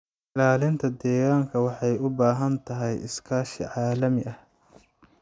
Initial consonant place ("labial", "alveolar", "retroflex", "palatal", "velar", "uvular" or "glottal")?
alveolar